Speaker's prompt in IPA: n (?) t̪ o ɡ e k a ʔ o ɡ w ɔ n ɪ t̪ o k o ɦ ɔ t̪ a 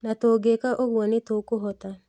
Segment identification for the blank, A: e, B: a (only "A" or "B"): B